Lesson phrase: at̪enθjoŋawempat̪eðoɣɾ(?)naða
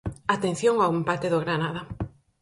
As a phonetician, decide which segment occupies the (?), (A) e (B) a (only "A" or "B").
B